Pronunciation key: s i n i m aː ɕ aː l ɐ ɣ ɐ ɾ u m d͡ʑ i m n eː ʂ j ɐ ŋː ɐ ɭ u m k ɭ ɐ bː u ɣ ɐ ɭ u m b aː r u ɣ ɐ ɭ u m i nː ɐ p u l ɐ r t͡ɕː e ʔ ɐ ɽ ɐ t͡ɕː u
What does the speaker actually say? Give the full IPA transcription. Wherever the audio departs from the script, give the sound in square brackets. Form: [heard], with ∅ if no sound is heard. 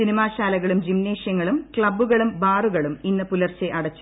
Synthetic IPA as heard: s i n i m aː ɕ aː l ɐ ɣ ɐ [ɭ] u m d͡ʑ i m n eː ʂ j ɐ ŋː ɐ ɭ u m k ɭ ɐ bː u ɣ ɐ ɭ u m b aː r u ɣ ɐ ɭ u m i nː ɐ p u l ɐ r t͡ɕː e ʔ ɐ ɽ ɐ t͡ɕː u